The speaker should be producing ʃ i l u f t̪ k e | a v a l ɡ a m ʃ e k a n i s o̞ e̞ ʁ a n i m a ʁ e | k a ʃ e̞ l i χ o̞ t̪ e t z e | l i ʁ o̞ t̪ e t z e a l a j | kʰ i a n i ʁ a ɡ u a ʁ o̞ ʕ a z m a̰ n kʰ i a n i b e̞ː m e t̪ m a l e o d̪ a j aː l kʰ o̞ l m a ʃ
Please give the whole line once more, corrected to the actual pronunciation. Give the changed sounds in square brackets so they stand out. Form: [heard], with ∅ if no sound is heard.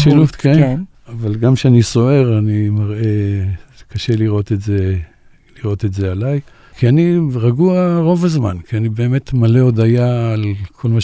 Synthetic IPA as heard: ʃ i l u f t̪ k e | a v a l ɡ a m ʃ e [∅] a n i s o̞ e̞ ʁ a n i m a ʁ e | k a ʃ e̞ l i [ʁ] o̞ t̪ e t z e | l i ʁ o̞ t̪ e t z e a l a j | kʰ i a n i ʁ a ɡ u a ʁ o̞ [v] a z m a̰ n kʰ i a n i b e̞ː m e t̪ m a l e o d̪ a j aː l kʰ o̞ l m a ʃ